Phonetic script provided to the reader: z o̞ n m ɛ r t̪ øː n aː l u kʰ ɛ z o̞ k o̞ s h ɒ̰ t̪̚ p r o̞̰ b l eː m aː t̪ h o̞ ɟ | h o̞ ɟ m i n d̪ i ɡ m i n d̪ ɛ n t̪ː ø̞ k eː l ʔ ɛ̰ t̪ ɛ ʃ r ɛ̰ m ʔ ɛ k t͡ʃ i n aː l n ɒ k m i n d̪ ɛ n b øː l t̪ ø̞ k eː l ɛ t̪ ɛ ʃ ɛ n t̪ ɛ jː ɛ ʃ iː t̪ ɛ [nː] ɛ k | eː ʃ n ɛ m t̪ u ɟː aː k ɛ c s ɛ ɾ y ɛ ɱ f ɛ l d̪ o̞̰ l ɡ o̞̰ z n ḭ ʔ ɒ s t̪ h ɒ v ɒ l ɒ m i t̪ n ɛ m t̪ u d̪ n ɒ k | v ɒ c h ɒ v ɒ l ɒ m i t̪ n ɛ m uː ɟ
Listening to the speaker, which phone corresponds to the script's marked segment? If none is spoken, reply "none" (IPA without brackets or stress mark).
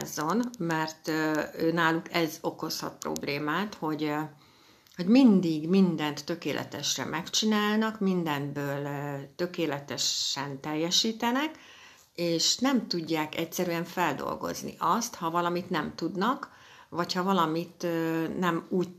n